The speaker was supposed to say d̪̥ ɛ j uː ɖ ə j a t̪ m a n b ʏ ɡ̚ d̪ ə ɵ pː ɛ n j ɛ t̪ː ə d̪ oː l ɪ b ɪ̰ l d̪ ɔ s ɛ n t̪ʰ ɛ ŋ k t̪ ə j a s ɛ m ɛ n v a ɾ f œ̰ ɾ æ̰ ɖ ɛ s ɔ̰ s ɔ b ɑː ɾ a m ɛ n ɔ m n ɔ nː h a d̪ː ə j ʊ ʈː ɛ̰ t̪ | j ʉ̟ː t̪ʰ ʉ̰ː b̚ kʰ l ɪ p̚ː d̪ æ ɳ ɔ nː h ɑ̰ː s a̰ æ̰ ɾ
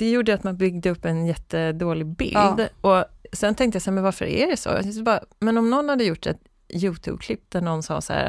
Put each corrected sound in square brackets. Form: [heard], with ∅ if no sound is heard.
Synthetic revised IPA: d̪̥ ɛ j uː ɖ ə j a t̪ m a n b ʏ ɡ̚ d̪ ə ɵ pː ɛ n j ɛ t̪ː ə d̪ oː l ɪ b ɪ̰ l d̪ ɔ s ɛ n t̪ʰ ɛ ŋ k t̪ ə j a s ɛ m ɛ n v a ɾ f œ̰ ɾ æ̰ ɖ ɛ s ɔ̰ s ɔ b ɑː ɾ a m ɛ n ɔ m n ɔ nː h a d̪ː ə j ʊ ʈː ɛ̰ t̪ | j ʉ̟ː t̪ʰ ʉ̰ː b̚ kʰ l ɪ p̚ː d̪ æ ɳ ɔ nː [s] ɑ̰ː s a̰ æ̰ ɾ